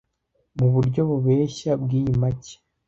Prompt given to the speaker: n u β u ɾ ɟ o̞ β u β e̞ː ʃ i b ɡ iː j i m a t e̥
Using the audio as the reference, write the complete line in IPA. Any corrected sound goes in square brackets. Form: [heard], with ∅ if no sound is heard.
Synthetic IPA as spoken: [m] u β u ɾ ɟ o̞ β u β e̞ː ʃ [a] b ɡ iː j i m a [c] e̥